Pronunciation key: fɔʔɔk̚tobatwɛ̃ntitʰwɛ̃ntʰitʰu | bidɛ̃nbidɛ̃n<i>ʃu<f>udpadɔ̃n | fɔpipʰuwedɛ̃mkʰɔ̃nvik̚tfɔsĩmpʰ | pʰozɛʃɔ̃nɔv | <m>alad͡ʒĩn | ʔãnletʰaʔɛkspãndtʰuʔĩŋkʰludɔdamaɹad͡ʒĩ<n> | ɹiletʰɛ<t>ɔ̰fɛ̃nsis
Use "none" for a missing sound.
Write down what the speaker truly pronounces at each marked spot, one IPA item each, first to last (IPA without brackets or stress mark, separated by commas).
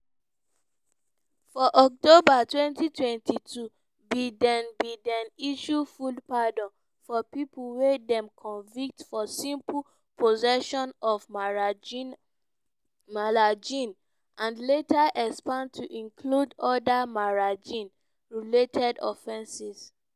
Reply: i, f, m, n, d